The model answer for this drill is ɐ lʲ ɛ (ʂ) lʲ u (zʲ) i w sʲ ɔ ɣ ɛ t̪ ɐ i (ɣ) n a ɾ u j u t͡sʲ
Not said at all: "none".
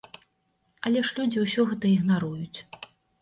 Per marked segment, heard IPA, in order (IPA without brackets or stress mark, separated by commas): ʂ, d͡zʲ, ɣ